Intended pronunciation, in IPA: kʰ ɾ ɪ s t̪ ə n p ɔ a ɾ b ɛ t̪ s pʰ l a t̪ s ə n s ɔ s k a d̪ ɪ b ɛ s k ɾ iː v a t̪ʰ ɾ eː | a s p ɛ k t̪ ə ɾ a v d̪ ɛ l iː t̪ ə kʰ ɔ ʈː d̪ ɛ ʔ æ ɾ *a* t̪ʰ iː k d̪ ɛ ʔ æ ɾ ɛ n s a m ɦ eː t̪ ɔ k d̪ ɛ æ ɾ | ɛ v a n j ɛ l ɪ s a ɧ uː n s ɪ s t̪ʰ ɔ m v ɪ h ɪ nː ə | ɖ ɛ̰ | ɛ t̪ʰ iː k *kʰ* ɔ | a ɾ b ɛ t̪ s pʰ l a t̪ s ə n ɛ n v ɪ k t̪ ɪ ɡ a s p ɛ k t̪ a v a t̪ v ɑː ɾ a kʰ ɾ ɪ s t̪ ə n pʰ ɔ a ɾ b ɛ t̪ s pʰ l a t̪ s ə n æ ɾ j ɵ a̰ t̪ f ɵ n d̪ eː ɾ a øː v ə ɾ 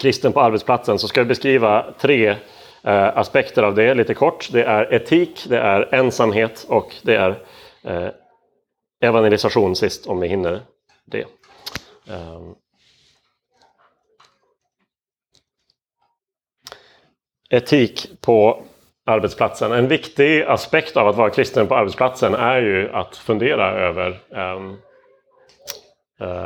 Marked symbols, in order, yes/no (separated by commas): no, no